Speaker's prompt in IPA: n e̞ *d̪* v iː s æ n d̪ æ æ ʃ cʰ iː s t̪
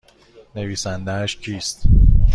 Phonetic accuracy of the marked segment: incorrect: none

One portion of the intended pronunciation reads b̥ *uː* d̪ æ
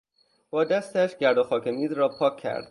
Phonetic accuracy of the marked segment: incorrect: ɒː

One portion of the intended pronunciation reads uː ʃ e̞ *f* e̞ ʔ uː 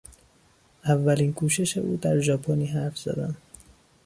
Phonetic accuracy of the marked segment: incorrect: ʃ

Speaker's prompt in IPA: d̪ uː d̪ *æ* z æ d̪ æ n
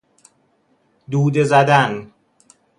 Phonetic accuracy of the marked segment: incorrect: e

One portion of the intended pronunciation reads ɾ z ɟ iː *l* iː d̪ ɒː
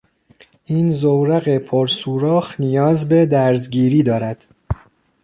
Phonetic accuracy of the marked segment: incorrect: ɾ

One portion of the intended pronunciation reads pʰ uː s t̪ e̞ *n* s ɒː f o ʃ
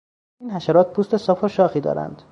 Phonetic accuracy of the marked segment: incorrect: none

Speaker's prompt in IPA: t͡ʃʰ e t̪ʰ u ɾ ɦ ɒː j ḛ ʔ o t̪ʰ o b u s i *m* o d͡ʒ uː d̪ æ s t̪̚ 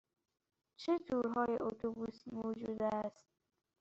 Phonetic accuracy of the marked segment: correct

